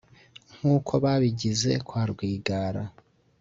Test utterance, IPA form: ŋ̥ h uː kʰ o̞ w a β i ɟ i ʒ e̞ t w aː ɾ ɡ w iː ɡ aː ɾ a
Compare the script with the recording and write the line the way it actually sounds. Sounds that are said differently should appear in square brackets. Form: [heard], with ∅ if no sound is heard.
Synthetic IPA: ŋ̥ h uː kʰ o̞ [β] a β i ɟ i [z] e̞ [k] w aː ɾ ɡ w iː ɡ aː ɾ a